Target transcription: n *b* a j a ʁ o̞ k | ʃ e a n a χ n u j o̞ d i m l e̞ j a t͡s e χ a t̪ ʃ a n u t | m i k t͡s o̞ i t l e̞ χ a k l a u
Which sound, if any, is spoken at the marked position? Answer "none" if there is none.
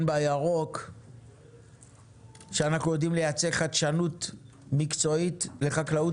b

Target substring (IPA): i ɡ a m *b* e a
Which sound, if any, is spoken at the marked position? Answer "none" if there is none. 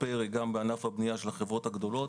b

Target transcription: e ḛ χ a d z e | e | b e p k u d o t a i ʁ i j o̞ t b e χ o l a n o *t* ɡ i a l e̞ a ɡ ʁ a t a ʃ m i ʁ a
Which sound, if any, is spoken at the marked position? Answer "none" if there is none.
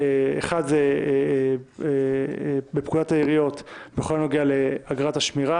none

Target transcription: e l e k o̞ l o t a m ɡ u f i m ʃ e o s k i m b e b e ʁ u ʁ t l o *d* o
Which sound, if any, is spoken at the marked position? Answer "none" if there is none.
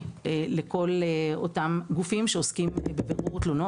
n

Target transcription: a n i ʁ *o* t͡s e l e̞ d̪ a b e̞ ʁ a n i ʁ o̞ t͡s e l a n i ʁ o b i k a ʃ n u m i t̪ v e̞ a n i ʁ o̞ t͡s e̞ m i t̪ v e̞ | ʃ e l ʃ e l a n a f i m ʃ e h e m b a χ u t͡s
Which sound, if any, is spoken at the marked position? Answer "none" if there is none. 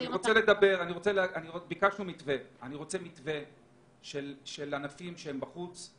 o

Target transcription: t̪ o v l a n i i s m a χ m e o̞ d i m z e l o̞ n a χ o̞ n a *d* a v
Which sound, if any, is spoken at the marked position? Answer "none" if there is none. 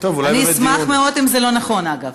ɡ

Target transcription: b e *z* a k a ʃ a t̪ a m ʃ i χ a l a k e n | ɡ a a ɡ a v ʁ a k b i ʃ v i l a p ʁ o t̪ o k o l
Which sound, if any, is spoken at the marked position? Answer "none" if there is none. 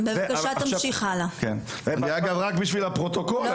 v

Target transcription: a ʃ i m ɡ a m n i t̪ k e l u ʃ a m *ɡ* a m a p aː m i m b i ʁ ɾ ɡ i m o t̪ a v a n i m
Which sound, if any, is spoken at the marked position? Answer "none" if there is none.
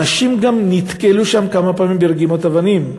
k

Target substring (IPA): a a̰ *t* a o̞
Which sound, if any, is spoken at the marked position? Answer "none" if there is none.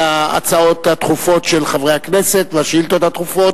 t͡s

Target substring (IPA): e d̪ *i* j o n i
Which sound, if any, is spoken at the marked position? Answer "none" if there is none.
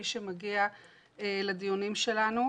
i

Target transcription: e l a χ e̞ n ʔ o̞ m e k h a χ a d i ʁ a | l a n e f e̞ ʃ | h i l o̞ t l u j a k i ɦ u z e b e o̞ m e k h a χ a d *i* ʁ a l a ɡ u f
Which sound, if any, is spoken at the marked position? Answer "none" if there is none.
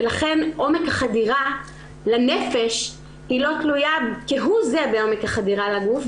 i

